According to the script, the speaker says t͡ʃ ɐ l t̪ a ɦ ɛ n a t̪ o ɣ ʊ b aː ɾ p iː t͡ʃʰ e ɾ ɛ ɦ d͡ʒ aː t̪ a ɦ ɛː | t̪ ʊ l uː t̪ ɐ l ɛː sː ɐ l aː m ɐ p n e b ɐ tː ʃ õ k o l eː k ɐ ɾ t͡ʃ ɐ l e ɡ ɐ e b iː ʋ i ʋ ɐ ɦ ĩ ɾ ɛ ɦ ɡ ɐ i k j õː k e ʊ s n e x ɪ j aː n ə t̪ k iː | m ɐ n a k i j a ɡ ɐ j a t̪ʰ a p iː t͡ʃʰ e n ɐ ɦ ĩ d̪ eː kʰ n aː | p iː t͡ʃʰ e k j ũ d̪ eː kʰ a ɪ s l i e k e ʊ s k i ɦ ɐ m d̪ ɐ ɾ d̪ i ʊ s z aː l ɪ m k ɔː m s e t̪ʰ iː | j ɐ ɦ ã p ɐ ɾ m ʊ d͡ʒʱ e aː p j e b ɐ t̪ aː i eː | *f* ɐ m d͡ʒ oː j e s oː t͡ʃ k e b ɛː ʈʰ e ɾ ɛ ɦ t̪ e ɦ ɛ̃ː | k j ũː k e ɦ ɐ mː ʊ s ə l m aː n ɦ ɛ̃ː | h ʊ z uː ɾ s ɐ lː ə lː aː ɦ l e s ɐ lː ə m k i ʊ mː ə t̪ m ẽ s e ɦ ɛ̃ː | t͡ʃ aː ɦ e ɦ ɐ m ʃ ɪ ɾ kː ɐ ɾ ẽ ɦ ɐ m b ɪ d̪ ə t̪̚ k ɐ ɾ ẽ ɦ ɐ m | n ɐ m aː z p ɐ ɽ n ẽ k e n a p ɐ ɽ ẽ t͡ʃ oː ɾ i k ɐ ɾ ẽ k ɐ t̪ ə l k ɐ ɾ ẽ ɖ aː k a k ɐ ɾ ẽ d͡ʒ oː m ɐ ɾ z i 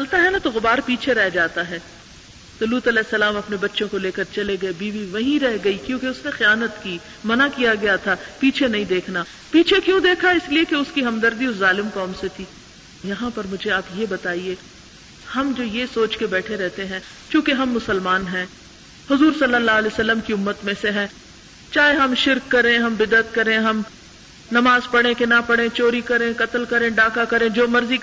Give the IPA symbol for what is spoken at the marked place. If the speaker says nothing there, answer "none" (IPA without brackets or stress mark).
h